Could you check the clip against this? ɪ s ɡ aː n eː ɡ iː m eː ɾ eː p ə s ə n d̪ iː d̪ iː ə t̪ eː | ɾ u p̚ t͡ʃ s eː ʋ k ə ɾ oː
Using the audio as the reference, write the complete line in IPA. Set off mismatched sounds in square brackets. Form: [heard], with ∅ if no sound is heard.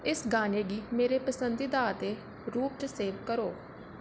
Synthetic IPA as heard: ɪ s ɡ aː n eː ɡ iː m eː ɾ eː p ə s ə n d̪ iː d̪ [aː] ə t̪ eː | ɾ [uː] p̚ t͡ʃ s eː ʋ k ə ɾ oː